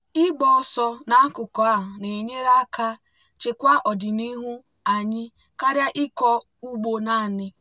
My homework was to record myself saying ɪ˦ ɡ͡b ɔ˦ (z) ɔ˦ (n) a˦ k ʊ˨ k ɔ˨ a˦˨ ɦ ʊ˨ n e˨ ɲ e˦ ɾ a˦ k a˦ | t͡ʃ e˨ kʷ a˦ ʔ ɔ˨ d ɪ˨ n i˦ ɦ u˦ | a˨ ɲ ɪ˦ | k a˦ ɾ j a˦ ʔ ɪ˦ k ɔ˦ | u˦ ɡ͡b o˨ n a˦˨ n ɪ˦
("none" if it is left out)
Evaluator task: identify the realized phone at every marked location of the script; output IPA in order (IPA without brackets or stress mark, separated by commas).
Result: s, n